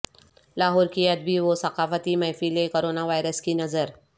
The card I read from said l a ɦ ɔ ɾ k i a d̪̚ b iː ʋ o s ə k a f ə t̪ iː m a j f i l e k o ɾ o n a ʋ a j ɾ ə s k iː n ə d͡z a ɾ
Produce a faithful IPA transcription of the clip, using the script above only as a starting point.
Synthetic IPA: l a ɦ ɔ ɾ k i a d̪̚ b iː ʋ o s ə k a f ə t̪ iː m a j f i l e k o ɾ o n a ʋ a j ɾ ə s k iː n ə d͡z ə ɾ